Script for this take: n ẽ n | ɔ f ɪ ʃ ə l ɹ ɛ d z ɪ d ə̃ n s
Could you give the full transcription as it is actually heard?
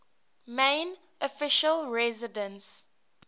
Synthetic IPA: m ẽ n | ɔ f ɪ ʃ ə l ɹ ɛ z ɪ d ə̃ n s